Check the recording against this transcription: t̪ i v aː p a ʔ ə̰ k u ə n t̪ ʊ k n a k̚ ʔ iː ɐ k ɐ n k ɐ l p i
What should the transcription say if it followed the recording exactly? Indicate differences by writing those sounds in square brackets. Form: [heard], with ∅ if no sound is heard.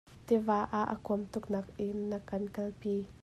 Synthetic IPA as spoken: t̪ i v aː [ʔ] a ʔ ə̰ k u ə [m] t̪ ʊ k n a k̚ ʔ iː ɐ k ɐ n k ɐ l p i